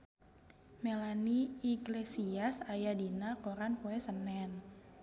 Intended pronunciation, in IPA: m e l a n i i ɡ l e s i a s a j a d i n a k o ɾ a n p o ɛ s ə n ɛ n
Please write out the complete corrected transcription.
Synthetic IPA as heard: m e l a n i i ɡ l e s i a s a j a d i n a k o ɾ a n p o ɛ s ə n ɛ n